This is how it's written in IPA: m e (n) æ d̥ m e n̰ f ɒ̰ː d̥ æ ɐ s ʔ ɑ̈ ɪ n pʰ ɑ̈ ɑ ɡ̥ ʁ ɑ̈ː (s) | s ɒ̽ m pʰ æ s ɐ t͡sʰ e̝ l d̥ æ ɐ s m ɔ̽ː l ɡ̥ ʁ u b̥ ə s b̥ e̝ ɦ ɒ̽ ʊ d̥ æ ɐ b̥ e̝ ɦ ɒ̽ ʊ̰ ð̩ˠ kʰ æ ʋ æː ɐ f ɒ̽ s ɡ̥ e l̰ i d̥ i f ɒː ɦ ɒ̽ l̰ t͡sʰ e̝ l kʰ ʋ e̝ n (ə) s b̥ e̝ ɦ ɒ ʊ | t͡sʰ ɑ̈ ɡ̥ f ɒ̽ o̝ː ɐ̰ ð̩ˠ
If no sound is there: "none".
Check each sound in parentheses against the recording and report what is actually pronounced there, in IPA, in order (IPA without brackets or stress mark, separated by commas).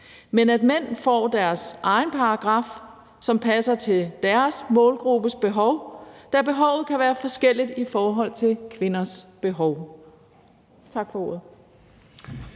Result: n, f, ɐ